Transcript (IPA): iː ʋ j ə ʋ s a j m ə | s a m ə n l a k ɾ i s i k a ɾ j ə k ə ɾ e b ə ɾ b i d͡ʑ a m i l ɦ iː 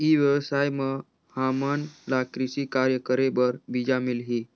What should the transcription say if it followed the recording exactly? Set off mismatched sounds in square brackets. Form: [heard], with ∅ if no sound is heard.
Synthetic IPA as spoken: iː ʋ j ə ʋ s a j m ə | [h] a m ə n l a k ɾ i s i k a ɾ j ə k ə ɾ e b ə ɾ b i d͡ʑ a m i l ɦ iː